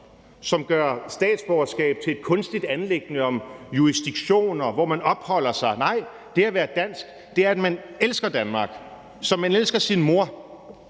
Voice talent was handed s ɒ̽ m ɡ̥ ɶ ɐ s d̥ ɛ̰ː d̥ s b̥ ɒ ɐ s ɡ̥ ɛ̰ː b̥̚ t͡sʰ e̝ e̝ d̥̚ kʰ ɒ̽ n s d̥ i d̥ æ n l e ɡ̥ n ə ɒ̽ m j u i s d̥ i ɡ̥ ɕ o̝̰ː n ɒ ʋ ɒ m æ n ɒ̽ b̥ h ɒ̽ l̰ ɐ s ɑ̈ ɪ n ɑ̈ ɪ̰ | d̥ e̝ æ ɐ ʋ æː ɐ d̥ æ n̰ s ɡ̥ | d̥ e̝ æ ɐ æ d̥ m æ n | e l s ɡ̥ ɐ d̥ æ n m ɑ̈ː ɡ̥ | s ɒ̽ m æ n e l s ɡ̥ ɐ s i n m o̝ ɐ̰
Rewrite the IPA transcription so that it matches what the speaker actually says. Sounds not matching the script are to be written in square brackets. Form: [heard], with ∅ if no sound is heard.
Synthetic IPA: s ɒ̽ m ɡ̥ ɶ ɐ s d̥ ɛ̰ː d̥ s b̥ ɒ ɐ s ɡ̥ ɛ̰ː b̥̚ t͡sʰ e̝ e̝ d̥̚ kʰ [ɔ̽] n s d̥ i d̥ æ n l e ɡ̥ n ə ɒ̽ m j u i s d̥ i ɡ̥ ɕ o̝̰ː n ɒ ʋ ɒ m æ n ɒ̽ b̥ h ɒ̽ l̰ ɐ s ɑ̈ ɪ n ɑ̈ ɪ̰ | d̥ e̝ æ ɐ ʋ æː ɐ d̥ æ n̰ s ɡ̥ | d̥ e̝ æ ɐ æ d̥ m æ n | e l s ɡ̥ ɐ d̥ æ n m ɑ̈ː ɡ̥ | s ɒ̽ m æ n e l s ɡ̥ ɐ s i n m o̝ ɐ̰